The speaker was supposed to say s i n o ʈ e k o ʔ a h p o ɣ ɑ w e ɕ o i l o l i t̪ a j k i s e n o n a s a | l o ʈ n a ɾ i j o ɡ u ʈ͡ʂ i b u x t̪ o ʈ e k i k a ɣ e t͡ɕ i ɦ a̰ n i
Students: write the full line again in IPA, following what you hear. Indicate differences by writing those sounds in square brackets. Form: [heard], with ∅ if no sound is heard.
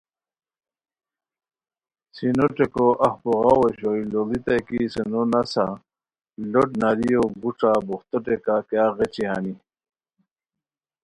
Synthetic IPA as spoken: s i n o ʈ e k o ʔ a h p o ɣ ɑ w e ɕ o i l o l i t̪ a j k i s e n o n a s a | l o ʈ n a ɾ i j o ɡ u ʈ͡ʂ [a] b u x t̪ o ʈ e k [a] k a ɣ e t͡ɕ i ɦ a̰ n i